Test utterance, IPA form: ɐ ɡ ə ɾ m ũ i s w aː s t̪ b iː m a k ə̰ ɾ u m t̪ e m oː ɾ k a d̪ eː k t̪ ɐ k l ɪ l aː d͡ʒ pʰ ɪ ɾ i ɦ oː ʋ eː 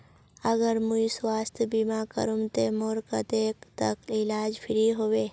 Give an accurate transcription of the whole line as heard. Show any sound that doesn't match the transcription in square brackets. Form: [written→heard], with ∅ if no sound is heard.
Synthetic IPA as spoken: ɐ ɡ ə ɾ m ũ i s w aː s t̪ b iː m a k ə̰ ɾ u m t̪ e m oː ɾ k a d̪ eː k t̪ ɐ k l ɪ l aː d͡ʒ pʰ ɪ ɾ i ɦ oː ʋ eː